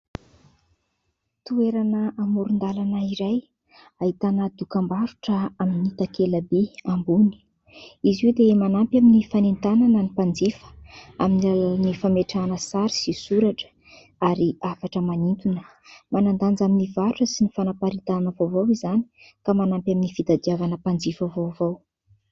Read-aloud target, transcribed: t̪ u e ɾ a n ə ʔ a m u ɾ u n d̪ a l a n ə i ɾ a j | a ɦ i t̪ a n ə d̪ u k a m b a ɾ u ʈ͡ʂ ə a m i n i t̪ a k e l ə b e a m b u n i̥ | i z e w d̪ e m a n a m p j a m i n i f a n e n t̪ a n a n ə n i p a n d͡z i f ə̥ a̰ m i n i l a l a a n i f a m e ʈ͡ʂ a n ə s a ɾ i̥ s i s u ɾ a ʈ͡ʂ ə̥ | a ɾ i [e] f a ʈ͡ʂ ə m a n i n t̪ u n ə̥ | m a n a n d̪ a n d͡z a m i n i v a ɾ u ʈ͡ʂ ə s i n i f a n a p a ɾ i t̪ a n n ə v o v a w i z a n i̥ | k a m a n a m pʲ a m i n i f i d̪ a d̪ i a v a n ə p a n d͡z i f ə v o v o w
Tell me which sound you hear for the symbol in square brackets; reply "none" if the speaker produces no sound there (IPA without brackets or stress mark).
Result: a